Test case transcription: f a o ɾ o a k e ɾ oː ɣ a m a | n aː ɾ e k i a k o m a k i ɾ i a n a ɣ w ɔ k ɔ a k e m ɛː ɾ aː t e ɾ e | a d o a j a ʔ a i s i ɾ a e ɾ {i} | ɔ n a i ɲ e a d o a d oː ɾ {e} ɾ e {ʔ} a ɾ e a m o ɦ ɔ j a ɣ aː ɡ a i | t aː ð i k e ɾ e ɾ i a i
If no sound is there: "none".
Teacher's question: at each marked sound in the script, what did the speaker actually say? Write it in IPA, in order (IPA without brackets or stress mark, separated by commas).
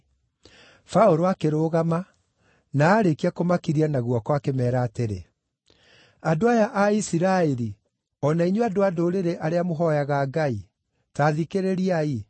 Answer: i, e, ʔ